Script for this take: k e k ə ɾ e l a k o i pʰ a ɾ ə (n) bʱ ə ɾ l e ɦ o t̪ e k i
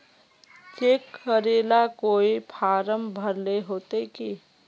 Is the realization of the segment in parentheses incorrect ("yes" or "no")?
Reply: yes